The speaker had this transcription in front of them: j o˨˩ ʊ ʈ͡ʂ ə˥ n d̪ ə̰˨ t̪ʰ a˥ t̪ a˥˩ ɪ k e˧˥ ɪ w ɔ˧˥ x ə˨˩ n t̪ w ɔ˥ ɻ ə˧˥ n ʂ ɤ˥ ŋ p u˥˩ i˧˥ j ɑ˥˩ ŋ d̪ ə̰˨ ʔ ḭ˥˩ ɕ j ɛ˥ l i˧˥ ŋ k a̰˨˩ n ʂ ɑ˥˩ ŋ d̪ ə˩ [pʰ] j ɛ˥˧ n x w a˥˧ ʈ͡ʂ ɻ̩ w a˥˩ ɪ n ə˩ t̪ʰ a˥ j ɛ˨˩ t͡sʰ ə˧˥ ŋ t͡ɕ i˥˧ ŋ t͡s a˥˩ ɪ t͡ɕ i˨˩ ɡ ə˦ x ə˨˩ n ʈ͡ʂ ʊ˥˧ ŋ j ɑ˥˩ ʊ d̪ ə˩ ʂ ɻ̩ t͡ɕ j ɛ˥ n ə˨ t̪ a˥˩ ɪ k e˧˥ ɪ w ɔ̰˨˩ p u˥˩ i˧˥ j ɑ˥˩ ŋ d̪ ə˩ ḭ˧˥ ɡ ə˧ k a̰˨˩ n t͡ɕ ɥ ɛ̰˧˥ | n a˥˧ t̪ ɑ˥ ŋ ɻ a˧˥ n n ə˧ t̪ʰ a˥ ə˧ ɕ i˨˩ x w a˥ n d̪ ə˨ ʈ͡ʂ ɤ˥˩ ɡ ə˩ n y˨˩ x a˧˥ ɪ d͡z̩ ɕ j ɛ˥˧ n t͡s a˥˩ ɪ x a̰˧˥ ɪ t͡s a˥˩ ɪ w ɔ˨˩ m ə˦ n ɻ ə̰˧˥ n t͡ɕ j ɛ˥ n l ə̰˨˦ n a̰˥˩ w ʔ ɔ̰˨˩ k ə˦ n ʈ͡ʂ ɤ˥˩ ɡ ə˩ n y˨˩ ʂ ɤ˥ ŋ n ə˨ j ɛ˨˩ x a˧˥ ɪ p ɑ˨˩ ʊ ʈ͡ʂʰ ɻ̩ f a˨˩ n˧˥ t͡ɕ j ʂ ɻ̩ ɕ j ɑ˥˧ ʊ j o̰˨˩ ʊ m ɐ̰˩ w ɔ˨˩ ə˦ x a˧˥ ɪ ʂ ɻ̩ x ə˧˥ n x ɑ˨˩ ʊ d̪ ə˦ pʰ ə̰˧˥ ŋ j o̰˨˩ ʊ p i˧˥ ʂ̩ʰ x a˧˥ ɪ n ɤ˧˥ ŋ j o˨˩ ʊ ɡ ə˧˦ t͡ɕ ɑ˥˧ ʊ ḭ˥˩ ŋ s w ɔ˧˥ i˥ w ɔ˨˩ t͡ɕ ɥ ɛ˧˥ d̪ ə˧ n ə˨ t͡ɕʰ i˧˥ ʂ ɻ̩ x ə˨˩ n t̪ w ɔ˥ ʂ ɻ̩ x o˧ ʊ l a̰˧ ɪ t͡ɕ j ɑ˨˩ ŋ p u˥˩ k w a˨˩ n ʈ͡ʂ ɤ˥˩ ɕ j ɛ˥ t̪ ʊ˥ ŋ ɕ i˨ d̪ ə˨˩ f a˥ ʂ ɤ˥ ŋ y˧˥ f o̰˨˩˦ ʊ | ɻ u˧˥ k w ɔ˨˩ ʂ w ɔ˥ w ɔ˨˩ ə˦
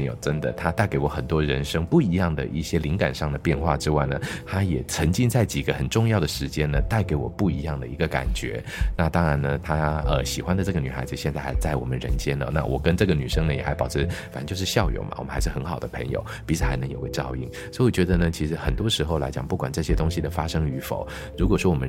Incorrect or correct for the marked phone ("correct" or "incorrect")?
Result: incorrect